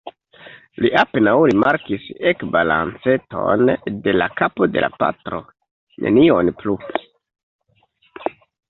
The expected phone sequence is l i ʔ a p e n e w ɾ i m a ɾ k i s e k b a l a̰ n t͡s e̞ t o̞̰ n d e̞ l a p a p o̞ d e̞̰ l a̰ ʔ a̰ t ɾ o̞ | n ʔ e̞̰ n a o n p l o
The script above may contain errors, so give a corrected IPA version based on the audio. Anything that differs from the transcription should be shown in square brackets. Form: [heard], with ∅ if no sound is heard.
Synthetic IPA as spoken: l i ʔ a p e n [a] w ɾ i m a ɾ k i s e k b a l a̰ n t͡s e̞ t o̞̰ n d e̞ l a [k] a p o̞ d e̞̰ l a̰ [p] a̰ t ɾ o̞ | n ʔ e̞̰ n [i] o n p l [u]